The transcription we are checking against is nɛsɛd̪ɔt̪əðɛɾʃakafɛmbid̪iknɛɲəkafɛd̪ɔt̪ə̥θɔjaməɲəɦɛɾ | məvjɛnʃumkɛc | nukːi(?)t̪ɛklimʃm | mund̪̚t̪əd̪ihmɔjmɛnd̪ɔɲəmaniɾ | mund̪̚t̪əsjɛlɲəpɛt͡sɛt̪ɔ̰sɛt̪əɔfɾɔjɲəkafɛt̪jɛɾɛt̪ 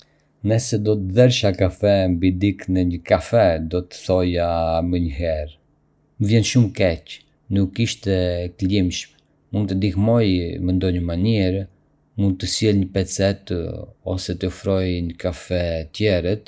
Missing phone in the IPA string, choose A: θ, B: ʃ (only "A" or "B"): B